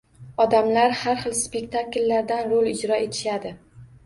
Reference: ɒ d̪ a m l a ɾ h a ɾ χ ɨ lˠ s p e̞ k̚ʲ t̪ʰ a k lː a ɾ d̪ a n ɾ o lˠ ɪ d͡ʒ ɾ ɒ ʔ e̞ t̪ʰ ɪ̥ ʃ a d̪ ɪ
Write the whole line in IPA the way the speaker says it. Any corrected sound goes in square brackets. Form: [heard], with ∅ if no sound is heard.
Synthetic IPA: ɒ d̪ a m l a ɾ h a ɾ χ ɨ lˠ s p e̞ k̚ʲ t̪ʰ a k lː a ɾ d̪ a n ɾ o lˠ ɪ d͡ʒ ɾ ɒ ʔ e̞ t̪ʰ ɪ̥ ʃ a d̪ ɪ